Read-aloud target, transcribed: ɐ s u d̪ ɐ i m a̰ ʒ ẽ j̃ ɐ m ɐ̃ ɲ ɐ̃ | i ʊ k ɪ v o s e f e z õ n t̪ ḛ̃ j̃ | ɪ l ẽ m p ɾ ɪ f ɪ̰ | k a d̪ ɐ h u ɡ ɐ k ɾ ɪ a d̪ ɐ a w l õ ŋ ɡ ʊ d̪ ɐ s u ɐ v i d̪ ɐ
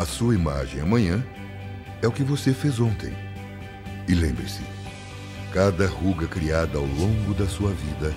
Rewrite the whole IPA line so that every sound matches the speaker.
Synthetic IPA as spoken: ɐ s u ɐ i m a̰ ʒ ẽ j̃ ɐ m ɐ̃ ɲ ɐ̃ | ɛ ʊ k ɪ v o s e f e z õ n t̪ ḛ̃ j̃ | ɪ l ẽ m b ɾ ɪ s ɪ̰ | k a d̪ ɐ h u ɡ ɐ k ɾ i a d̪ ɐ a w l õ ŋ ɡ ʊ d̪ ɐ s u ɐ v i d̪ ɐ